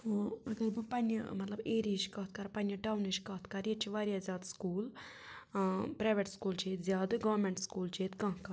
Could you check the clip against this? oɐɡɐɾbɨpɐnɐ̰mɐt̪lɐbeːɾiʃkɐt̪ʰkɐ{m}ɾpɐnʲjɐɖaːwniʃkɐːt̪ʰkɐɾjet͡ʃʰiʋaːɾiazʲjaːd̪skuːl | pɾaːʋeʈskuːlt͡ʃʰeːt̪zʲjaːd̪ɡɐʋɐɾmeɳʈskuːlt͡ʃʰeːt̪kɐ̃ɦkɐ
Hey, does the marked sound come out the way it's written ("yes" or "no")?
no